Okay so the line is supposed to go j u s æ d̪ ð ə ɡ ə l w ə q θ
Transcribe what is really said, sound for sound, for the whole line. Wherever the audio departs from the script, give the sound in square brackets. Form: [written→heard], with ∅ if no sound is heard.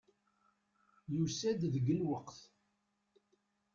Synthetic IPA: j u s æ d̪ ð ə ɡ ə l w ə q θ